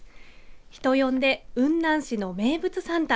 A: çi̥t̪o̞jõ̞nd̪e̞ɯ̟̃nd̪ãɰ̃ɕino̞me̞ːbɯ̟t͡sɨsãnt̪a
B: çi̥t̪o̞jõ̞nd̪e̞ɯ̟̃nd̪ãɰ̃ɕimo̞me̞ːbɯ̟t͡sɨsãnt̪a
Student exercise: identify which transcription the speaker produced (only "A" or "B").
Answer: A